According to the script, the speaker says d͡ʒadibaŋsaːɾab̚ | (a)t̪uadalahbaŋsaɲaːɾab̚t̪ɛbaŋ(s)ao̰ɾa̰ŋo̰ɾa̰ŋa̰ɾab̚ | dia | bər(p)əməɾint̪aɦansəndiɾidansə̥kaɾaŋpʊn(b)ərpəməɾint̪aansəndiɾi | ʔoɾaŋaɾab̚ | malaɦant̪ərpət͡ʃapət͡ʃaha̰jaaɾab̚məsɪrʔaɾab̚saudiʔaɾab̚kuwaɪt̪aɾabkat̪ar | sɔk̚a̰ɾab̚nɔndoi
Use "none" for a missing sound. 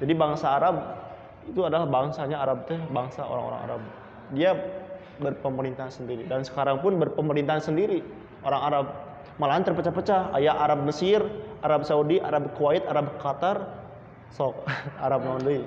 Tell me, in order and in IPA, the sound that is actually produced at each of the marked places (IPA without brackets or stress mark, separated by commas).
i, s, p, b